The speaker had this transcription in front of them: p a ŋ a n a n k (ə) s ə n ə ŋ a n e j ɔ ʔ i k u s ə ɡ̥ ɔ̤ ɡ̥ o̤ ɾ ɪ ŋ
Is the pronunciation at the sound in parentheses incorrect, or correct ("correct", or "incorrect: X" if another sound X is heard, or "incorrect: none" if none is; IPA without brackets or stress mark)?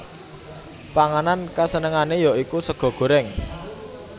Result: incorrect: a